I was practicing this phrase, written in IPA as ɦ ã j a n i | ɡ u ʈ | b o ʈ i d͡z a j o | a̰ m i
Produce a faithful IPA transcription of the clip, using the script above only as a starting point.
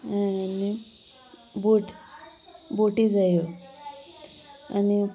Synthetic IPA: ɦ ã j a n i | b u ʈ | b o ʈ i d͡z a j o | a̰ n i